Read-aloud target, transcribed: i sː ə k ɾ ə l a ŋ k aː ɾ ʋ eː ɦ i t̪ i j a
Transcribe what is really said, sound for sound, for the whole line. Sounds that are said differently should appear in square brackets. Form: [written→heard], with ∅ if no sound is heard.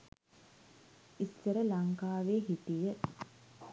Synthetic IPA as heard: i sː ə [k→∅] ɾ ə l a ŋ k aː [ɾ→∅] ʋ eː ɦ i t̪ i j [a→ə]